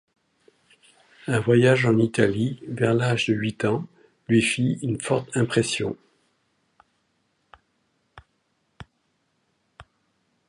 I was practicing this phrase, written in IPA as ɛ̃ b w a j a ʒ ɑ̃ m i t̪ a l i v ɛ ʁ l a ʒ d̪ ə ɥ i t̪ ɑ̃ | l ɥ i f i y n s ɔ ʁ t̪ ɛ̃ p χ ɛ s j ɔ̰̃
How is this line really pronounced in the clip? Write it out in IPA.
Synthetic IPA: ɛ̃ v w a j a ʒ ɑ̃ n i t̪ a l i v ɛ ʁ l a ʒ d̪ ə ɥ i t̪ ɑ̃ | l ɥ i f i y n f ɔ ʁ t̪ ɛ̃ p χ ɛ s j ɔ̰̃